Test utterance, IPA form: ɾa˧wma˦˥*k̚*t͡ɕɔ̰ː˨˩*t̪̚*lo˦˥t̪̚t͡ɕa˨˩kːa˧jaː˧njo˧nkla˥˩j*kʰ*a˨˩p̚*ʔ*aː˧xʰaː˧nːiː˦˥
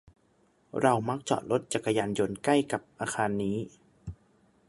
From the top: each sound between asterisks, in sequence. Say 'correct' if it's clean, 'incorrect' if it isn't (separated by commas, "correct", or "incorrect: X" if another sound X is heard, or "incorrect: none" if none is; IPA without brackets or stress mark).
correct, correct, incorrect: k, correct